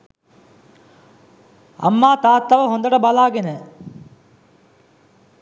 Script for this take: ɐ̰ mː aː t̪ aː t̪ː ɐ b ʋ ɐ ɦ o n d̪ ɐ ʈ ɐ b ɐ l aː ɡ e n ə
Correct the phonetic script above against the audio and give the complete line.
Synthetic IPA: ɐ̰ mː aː t̪ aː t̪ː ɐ ʋ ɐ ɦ o n d̪ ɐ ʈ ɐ b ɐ l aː ɡ e n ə